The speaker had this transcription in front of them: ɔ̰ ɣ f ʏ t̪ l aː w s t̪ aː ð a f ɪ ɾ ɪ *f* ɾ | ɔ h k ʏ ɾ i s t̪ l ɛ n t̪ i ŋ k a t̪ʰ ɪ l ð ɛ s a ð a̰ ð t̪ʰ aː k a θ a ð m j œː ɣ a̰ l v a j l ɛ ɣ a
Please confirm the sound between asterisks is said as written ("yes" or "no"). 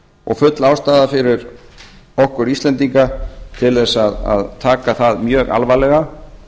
no